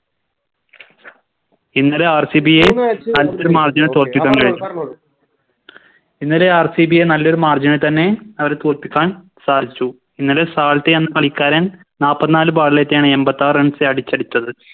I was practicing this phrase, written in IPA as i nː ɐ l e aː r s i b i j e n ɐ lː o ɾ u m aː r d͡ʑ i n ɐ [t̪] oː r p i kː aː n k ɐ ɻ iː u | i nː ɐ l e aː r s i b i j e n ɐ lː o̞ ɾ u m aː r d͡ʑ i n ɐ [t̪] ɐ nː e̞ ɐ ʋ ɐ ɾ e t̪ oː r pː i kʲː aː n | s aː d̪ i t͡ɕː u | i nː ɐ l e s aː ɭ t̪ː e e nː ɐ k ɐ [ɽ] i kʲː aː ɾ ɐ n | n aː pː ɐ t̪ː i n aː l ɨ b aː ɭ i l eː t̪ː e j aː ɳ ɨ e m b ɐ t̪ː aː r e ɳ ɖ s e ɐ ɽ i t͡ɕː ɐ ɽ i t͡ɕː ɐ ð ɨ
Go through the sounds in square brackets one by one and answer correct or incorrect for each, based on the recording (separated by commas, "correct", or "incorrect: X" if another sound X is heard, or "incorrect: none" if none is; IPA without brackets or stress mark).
correct, correct, incorrect: ɭ